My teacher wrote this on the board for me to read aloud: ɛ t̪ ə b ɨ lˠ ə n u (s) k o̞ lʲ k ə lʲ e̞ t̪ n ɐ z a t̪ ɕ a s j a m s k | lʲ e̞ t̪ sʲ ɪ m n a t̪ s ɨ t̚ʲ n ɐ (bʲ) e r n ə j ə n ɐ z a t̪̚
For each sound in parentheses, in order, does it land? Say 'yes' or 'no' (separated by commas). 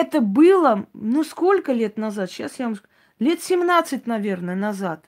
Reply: yes, no